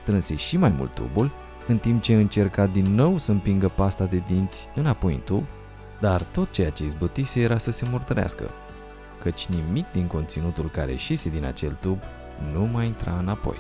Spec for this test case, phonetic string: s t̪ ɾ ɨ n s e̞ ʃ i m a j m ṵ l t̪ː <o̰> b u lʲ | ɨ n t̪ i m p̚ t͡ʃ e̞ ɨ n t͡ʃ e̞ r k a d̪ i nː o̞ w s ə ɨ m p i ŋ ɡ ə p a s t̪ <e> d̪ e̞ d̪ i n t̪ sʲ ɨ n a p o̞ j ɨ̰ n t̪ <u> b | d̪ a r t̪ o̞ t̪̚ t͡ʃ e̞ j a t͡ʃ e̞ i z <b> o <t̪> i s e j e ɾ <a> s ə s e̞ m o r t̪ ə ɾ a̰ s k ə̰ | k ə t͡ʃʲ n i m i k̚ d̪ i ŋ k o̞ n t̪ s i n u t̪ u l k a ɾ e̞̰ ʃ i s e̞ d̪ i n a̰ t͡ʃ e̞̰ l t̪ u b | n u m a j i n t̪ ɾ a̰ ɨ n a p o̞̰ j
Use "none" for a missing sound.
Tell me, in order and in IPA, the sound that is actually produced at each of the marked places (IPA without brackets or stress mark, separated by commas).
ṵ, a, u, b, t̪, a